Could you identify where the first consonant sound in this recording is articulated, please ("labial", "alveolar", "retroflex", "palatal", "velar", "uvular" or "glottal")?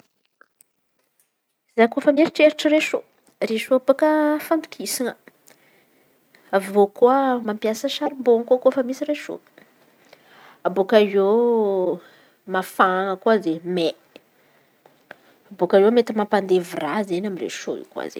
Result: alveolar